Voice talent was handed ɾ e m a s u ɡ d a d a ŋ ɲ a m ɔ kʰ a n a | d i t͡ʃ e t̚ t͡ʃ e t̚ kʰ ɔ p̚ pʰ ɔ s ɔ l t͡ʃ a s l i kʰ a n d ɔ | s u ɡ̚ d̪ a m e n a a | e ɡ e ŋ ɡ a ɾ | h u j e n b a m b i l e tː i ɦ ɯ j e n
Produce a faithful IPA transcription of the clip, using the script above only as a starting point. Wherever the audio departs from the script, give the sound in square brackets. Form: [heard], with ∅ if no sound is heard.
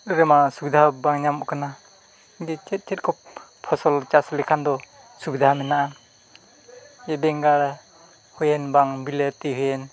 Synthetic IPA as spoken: ɾ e m a s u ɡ d a [b] a ŋ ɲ a m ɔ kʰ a n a | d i t͡ʃ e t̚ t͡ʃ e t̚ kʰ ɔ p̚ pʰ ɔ s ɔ l t͡ʃ a s l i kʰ a n d ɔ | s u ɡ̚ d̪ a m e n a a | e [b] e ŋ ɡ a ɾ | h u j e n b a [ŋ] b i l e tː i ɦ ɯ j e n

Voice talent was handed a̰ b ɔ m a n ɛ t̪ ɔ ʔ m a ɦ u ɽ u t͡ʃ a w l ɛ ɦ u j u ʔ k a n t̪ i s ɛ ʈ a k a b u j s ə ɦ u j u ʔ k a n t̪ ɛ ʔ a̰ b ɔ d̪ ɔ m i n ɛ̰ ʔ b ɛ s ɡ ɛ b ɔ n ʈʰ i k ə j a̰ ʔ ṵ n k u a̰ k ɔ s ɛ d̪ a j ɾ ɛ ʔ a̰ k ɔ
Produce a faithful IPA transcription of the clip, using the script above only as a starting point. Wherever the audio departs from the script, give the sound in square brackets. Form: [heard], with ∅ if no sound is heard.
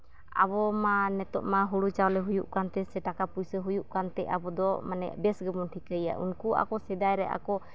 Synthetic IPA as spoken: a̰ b ɔ m a n ɛ t̪ ɔ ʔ m a ɦ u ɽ u t͡ʃ a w l ɛ ɦ u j u ʔ k a n t̪ [ɛ] s ɛ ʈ a k a [p] u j s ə ɦ u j u ʔ k a n t̪ ɛ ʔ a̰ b ɔ d̪ ɔ m [a] n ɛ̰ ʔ b ɛ s ɡ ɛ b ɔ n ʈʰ i k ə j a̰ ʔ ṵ n k u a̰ k ɔ s ɛ d̪ a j ɾ ɛ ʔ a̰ k ɔ

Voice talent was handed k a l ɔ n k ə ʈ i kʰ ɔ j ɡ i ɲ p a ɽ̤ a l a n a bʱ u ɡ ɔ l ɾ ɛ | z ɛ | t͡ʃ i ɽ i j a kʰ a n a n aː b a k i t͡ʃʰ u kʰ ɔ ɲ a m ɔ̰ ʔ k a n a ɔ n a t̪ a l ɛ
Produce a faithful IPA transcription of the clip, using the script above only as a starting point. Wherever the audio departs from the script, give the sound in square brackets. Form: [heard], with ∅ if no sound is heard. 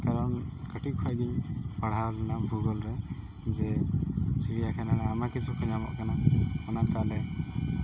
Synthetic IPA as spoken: k a [ɾ] ɔ n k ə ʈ i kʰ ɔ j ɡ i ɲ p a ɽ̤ a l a n a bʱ u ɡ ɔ l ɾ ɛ | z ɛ | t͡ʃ i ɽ i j a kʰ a n a n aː [m] a k i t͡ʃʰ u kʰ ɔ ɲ a m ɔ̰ ʔ k a n a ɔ n a t̪ a l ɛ

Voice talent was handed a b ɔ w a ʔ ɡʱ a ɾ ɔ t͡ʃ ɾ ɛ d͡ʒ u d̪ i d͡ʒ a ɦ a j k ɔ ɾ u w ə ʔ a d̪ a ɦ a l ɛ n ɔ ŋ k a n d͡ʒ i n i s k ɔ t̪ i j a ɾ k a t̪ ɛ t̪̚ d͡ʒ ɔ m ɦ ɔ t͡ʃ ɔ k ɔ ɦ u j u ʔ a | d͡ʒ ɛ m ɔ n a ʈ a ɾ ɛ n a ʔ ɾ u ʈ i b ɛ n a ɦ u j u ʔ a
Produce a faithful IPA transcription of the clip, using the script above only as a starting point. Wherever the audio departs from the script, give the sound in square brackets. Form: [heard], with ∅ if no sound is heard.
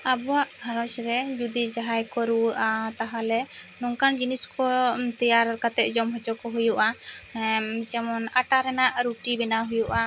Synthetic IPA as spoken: a b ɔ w a ʔ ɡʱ a ɾ ɔ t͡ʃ ɾ ɛ d͡ʒ u d̪ i d͡ʒ a ɦ a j k ɔ ɾ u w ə ʔ a [t̪] a ɦ a l ɛ n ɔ ŋ k a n d͡ʒ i n i s k ɔ t̪ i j a ɾ k a t̪ ɛ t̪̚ d͡ʒ ɔ m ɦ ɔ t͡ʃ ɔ k ɔ ɦ u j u ʔ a | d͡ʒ ɛ m ɔ n a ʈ a ɾ ɛ n a ʔ ɾ u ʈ i b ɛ n a ɦ u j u ʔ a

